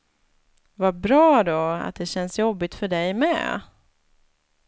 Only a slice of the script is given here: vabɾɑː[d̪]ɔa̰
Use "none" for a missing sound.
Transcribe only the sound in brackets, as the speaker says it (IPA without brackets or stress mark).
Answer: d̪